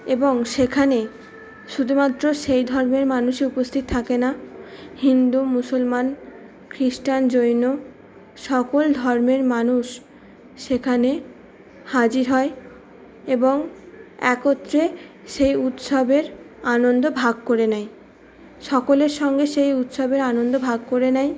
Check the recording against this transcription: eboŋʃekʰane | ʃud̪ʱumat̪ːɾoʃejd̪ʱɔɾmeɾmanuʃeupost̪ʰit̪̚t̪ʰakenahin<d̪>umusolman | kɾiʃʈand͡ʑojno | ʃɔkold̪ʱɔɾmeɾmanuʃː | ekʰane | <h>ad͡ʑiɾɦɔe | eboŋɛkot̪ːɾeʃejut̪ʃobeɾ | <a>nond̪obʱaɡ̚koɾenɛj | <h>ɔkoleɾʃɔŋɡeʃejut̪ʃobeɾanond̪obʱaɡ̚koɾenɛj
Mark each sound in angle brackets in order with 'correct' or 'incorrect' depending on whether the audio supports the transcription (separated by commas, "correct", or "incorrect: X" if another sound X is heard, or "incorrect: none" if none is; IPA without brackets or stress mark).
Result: correct, correct, correct, incorrect: ʃ